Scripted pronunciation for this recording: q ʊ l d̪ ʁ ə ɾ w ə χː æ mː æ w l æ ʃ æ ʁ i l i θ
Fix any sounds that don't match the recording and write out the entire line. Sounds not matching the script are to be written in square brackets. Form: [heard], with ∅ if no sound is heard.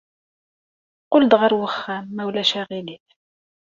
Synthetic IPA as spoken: q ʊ l d̪ ʁ ə ɾ w ə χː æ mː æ w l æ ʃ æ ʁ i l i θ